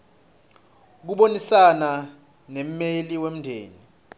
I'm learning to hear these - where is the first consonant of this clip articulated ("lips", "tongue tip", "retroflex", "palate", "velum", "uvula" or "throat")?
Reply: velum